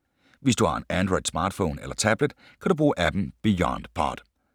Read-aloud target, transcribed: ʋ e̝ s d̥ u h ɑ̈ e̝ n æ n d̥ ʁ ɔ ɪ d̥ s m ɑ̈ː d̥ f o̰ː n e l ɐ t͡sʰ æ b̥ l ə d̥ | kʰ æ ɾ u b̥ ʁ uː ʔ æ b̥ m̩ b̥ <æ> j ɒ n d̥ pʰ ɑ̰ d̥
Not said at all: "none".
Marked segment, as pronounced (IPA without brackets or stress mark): i